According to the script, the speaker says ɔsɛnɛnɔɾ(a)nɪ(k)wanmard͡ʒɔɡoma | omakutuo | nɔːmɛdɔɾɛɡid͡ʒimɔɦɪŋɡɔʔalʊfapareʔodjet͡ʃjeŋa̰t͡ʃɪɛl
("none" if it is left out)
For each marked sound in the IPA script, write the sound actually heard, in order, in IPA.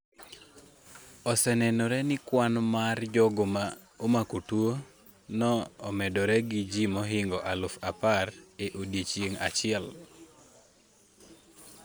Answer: ɛ, k

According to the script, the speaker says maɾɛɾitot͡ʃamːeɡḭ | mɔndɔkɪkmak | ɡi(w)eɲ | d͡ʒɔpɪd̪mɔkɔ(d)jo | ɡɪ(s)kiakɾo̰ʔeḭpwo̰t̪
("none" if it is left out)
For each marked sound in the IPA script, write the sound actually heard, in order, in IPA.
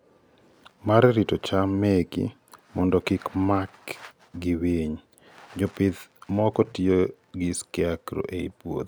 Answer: w, t, s

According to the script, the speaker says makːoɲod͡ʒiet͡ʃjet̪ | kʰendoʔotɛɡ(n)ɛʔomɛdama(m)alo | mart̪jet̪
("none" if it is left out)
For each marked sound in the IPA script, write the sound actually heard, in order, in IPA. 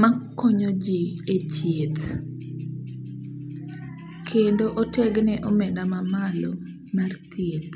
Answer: n, m

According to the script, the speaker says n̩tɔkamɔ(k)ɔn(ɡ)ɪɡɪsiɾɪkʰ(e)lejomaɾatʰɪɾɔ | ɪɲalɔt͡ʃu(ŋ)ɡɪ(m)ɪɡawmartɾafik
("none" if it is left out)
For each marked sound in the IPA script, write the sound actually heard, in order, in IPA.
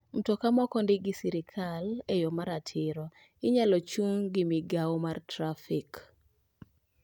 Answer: k, d, a, ŋ, m

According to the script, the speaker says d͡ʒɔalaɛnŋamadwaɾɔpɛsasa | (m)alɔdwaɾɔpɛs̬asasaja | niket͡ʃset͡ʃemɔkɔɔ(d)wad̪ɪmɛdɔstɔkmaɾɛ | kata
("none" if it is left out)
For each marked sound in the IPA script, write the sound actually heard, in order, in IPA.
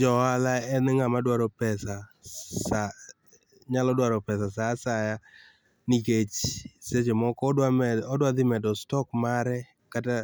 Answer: ɲ, d

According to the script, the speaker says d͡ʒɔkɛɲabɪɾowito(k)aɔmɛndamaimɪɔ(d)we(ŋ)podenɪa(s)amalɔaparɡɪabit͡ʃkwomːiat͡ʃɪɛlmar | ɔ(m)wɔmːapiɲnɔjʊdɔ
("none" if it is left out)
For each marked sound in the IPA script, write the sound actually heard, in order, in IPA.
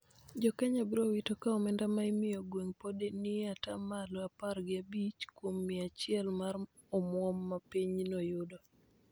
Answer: k, ɡ, ŋ, t, m

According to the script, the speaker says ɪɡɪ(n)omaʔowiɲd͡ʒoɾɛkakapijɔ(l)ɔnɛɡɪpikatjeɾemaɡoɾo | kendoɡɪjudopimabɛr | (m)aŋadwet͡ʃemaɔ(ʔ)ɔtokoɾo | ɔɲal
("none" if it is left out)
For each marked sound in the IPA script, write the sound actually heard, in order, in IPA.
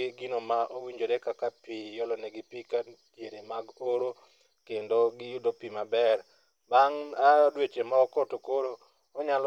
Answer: n, l, b, k

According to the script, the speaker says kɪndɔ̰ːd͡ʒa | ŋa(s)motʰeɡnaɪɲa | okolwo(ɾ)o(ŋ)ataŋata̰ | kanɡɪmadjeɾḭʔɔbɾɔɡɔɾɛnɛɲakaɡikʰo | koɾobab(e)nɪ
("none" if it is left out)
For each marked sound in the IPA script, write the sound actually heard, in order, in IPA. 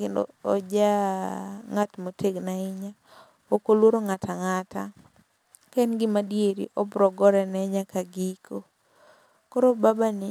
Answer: t, ɾ, ŋ, a

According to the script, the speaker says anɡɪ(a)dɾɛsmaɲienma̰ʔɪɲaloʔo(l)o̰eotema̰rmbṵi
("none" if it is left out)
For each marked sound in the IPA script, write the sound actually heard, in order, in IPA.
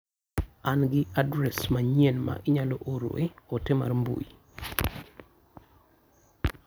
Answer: a, ɾ

